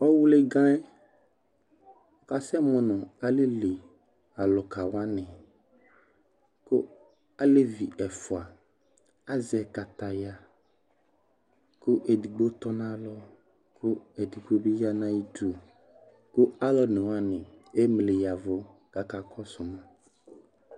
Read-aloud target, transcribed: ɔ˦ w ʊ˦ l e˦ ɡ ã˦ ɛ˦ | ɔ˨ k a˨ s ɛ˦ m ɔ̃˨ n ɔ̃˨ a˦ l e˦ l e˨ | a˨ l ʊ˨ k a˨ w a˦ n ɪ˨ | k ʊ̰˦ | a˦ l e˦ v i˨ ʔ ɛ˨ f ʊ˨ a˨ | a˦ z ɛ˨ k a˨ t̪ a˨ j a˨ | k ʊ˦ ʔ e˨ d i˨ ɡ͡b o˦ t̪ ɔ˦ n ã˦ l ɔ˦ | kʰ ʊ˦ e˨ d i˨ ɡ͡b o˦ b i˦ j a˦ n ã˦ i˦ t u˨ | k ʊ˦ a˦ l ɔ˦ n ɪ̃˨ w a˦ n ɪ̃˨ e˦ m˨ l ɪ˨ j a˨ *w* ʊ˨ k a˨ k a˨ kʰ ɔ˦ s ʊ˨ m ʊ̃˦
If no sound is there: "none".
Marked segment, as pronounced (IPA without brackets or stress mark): v